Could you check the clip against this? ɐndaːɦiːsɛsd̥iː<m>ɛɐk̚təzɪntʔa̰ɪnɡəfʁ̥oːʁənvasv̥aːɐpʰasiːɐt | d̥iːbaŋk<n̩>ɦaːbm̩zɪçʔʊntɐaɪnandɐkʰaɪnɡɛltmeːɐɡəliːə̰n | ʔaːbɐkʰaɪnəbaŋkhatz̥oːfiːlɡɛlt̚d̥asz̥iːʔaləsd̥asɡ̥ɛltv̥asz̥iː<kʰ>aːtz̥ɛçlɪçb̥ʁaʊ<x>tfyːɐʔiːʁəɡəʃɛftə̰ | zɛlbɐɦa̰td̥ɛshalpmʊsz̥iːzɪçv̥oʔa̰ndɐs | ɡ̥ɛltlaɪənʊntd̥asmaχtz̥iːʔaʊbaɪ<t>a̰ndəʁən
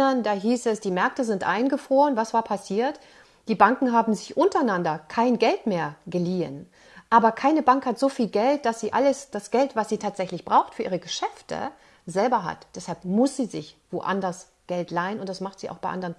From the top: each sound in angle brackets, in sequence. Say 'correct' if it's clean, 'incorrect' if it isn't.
correct, incorrect, incorrect, correct, incorrect

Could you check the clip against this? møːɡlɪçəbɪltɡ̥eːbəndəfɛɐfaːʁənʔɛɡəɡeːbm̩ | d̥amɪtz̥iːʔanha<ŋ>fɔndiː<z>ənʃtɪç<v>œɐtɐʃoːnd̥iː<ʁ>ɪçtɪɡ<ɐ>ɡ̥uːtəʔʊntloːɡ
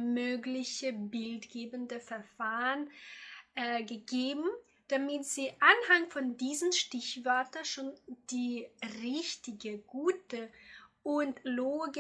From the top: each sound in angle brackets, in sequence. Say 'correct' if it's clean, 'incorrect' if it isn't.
correct, correct, correct, correct, incorrect

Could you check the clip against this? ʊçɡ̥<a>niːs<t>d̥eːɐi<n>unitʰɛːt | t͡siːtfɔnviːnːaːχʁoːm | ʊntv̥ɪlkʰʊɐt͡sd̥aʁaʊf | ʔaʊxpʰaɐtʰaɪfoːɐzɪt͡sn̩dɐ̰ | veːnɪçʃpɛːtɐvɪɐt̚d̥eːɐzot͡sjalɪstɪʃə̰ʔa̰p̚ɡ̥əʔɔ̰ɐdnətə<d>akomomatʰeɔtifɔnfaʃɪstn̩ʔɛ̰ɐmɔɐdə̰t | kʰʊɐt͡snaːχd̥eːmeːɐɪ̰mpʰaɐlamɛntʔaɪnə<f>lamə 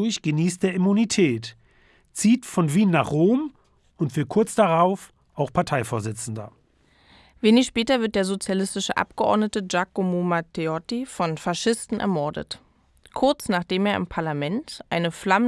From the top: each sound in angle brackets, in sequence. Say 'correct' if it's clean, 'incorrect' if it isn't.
incorrect, correct, incorrect, incorrect, correct

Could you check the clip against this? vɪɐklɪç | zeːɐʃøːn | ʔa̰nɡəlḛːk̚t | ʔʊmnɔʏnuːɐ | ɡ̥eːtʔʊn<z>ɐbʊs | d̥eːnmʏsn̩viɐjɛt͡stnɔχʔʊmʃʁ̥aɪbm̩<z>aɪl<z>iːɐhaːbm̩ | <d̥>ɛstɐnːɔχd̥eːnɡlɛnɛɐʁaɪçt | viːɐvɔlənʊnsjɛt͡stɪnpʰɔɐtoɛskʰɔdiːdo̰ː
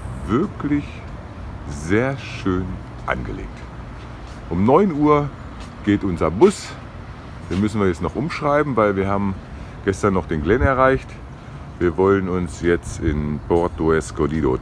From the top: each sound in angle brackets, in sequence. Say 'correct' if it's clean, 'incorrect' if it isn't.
correct, incorrect, incorrect, incorrect

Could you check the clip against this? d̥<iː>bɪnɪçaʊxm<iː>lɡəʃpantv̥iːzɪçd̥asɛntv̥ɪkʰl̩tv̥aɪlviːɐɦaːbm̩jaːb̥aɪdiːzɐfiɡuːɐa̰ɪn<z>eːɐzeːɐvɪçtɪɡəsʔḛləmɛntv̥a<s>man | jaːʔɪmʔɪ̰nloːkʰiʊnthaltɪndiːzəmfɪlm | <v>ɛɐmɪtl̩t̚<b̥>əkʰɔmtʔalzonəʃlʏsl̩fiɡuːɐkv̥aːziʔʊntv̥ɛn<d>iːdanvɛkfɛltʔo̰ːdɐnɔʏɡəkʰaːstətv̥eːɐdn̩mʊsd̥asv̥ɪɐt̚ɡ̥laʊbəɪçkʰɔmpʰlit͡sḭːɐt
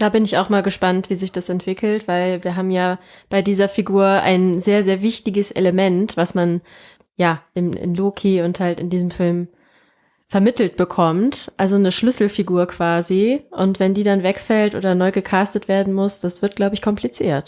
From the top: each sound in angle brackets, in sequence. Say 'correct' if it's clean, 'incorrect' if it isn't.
incorrect, incorrect, correct, correct, incorrect, correct, correct

